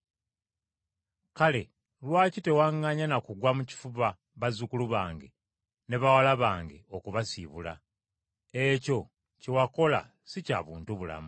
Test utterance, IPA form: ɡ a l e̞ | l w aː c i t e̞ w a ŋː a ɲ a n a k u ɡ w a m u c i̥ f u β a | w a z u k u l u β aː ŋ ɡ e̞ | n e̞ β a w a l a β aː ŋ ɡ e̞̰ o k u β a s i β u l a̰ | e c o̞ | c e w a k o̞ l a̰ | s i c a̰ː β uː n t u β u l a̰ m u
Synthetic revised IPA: k a l e̞ | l w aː c i t e̞ w a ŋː a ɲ a n a k u ɡ w a m u c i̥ f u β a | β a z u k u l u β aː ŋ ɡ e̞ | n e̞ β a w a l a β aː ŋ ɡ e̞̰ o k u β a s i β u l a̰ | e c o̞ | c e w a k o̞ l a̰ | s i c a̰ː β uː n t u β u l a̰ m u